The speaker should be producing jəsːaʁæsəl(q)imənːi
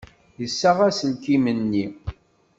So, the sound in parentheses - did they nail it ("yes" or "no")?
no